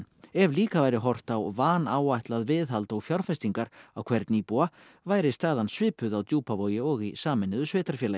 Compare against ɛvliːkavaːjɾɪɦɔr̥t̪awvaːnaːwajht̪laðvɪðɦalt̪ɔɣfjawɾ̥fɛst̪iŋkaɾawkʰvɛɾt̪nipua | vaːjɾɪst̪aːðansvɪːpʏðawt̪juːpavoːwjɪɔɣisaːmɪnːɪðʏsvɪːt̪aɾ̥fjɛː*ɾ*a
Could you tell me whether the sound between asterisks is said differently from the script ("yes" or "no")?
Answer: yes